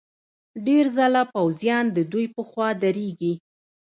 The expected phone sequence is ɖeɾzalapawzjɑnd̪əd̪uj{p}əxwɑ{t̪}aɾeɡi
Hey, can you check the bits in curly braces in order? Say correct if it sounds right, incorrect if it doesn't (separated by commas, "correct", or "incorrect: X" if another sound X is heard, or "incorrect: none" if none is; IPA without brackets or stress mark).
correct, incorrect: d̪